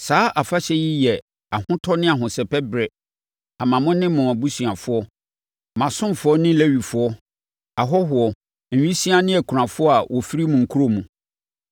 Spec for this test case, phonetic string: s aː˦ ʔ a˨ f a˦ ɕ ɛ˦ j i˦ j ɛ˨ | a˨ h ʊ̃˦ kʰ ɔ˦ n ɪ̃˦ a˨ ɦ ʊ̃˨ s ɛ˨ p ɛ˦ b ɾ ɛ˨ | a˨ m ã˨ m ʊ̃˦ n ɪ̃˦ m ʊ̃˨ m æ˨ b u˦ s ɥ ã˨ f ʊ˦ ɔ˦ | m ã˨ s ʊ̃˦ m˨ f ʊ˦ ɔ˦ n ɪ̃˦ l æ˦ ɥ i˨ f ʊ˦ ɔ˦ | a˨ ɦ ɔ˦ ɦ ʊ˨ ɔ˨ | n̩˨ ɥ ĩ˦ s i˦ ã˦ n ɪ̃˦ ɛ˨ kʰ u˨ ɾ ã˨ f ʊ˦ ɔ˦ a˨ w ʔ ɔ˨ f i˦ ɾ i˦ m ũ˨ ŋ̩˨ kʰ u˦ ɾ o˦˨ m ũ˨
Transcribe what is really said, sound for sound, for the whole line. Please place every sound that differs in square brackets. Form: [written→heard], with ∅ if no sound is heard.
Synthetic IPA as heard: s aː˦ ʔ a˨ f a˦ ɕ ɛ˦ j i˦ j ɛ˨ | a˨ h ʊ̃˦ [kʰ→tʰ] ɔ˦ n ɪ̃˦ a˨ ɦ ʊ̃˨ s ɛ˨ p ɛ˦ b ɾ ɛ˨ | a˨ m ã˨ m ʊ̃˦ n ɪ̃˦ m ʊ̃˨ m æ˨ b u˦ s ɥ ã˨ f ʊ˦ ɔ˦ | m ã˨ s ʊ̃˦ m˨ f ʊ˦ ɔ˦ n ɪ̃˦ l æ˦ ɥ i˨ f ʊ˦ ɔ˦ | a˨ ɦ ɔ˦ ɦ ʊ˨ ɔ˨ | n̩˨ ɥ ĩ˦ s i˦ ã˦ n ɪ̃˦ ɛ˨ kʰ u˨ ɾ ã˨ f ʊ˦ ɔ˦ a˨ w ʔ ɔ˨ f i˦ ɾ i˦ m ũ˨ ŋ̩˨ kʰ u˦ ɾ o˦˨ m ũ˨

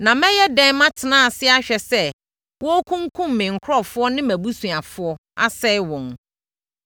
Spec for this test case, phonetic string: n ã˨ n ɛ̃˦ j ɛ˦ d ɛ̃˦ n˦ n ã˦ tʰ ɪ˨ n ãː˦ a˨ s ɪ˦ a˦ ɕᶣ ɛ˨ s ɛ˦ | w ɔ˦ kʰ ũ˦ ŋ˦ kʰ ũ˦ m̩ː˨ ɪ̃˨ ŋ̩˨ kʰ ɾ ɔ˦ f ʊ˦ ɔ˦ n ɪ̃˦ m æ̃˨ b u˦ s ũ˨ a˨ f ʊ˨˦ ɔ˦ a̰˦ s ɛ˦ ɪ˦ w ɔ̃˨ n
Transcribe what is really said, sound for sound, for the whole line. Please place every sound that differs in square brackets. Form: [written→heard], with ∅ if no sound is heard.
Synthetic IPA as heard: n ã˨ [n→m] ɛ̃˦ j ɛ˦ d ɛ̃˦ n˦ [n→m] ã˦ tʰ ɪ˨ n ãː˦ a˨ s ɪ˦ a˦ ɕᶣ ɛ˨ s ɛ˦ | w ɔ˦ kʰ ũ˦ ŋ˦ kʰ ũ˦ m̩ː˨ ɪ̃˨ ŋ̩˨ kʰ ɾ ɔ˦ f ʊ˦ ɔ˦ n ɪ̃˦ m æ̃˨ b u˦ s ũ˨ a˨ f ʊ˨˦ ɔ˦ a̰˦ s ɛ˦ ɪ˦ w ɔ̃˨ n

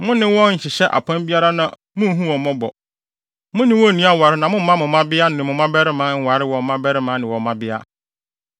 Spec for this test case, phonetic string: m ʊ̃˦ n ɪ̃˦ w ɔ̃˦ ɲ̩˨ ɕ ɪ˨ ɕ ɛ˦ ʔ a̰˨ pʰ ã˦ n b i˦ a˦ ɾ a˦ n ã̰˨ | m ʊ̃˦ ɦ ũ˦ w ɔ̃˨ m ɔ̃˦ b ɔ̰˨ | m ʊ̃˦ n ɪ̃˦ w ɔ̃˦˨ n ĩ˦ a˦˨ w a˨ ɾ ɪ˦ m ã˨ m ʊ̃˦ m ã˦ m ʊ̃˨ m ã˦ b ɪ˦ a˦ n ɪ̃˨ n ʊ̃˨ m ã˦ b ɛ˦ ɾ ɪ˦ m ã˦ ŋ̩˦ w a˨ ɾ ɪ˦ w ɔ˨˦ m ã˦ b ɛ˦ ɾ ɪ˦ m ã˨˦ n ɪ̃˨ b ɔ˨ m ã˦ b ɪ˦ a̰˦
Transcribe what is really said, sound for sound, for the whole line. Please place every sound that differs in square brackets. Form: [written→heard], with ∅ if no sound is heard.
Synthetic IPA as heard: m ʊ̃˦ n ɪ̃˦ w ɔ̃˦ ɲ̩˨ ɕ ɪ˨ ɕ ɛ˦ ʔ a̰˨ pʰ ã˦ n b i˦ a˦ ɾ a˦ n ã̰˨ | m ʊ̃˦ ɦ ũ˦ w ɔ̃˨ m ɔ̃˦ b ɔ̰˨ | m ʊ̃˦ n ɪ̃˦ w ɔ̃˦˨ n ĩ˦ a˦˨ w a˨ ɾ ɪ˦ [m→n] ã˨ m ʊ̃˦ m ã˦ m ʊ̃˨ m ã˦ b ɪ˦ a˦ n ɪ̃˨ [n→m] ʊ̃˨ m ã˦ b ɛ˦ ɾ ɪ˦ m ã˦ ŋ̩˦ w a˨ ɾ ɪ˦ w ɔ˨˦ m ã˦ b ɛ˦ ɾ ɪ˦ m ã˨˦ n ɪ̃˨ [b→w] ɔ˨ m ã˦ b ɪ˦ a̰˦

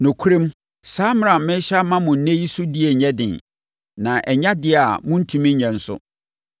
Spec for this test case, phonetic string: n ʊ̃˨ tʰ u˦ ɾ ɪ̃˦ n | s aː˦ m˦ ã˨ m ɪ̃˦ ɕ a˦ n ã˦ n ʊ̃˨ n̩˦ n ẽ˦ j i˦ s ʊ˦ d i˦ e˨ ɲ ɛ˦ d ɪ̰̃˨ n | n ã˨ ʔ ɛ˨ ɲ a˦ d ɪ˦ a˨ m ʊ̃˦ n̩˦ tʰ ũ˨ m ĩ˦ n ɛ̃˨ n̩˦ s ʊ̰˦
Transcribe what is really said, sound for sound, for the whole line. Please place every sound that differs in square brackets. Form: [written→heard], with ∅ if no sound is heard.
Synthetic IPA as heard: n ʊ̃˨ [tʰ→kʰ] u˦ ɾ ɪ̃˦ [n→m] | s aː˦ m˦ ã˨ m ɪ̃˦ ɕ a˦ [n→m] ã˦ [n→m] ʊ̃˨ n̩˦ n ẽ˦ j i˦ s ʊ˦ d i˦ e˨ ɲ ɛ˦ d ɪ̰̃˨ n | n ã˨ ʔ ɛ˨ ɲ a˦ d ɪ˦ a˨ m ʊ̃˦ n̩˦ tʰ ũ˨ m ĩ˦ [n→ɲ] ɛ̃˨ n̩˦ s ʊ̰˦

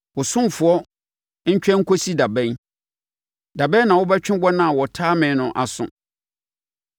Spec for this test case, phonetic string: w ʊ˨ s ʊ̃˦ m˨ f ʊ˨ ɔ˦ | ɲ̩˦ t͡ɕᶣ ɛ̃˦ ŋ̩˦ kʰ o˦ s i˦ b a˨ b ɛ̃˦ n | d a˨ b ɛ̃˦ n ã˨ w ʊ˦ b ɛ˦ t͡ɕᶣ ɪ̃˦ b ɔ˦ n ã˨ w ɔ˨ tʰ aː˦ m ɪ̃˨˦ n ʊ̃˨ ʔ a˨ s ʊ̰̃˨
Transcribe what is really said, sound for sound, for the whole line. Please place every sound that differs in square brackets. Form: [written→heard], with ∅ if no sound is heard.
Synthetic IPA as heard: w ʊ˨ s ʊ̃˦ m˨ f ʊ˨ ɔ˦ | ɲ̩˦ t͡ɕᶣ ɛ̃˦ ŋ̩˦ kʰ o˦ s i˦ [b→d] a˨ b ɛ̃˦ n | d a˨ b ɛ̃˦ n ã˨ w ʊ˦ b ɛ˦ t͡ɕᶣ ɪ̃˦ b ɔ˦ n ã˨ w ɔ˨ tʰ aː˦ m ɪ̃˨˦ n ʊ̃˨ ʔ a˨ s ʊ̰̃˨

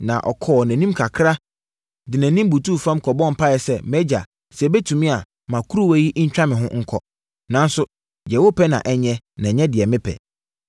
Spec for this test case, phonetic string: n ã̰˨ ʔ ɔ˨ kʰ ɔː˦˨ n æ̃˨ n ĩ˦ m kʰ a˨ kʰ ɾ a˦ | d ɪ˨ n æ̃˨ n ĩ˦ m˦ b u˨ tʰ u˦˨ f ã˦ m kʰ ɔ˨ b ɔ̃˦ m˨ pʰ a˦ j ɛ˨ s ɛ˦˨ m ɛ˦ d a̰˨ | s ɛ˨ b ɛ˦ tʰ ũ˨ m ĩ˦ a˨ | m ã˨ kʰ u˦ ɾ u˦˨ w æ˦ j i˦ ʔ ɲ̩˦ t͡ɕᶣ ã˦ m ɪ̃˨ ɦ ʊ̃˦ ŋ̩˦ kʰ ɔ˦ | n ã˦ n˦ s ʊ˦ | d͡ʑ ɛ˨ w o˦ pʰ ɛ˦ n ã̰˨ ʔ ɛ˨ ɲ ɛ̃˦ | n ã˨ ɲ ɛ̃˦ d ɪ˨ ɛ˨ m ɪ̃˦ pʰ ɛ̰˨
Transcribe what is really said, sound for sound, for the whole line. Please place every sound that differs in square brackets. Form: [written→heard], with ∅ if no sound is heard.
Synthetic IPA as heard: n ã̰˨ ʔ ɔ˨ kʰ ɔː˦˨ n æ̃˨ n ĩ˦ m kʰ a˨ kʰ ɾ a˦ | d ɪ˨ n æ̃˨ n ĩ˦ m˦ b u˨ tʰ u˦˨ f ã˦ m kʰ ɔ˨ b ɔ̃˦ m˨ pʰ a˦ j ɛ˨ s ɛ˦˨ m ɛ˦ [d→d͡ʑ] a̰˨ | s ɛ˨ b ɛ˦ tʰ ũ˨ m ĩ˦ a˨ | m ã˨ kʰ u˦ ɾ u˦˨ w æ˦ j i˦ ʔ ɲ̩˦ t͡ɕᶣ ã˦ m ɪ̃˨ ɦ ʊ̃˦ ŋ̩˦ kʰ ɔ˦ | n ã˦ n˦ s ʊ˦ | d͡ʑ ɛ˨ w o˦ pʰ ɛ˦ n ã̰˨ ʔ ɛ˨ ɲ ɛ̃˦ | n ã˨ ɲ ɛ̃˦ d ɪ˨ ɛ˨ m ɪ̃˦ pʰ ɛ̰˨

